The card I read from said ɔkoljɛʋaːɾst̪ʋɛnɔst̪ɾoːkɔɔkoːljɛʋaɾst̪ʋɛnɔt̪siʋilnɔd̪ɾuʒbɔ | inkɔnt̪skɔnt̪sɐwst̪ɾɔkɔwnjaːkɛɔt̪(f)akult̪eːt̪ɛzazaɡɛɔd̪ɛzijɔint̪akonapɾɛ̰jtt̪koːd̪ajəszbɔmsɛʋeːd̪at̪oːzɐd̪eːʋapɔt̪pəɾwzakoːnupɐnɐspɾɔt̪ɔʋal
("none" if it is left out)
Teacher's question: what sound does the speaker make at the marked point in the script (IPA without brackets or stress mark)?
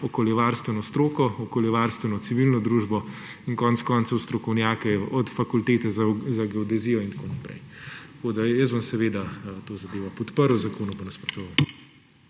f